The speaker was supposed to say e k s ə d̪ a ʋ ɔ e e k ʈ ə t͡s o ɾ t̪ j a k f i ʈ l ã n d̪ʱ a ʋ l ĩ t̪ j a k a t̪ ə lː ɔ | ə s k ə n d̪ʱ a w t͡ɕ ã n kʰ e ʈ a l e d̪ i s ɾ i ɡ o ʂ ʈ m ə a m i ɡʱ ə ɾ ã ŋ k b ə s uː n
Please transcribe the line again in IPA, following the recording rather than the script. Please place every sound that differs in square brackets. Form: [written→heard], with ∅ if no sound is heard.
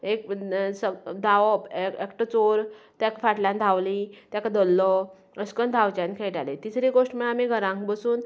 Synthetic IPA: e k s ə d̪ a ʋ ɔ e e k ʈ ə t͡s o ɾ t̪ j a k f [i→a] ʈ l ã n d̪ʱ a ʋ l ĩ t̪ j a k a [t̪→d̪] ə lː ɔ | ə s k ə n d̪ʱ a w t͡ɕ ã n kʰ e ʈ a l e [d̪→t̪] i s ɾ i ɡ o ʂ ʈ m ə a m i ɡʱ ə ɾ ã ŋ k b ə s uː n